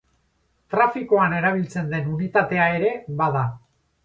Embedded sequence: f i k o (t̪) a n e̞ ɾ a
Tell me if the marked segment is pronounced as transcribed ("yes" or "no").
no